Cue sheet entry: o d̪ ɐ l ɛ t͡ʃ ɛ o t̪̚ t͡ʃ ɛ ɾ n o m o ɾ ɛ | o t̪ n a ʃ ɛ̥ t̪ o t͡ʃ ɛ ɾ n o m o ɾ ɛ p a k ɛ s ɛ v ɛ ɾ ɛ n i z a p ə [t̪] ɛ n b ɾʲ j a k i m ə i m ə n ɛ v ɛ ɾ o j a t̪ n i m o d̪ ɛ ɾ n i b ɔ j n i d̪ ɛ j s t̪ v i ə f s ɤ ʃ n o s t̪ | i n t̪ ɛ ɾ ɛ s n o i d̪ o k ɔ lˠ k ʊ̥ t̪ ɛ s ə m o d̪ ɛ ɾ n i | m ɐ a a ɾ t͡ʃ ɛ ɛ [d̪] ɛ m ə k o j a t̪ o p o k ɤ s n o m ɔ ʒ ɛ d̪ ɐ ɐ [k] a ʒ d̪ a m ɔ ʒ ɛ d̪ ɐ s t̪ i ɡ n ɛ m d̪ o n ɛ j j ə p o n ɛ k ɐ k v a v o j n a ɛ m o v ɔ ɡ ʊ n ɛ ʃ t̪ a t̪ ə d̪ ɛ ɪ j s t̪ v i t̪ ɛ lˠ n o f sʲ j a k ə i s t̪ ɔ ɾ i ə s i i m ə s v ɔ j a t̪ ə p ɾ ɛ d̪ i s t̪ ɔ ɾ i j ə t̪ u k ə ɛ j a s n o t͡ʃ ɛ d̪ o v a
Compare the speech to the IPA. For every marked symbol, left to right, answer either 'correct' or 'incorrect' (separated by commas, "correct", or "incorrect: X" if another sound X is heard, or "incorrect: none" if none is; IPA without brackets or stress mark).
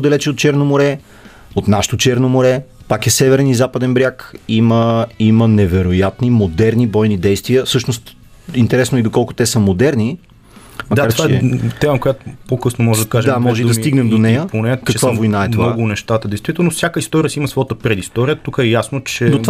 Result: incorrect: d̪, incorrect: t̪, correct